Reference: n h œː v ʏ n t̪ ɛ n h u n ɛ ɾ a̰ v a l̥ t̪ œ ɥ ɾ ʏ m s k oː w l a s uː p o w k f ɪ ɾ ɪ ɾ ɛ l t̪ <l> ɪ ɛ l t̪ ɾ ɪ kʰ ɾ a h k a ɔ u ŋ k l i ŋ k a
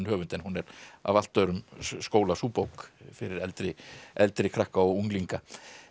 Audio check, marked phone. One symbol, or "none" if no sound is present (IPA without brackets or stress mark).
ɾ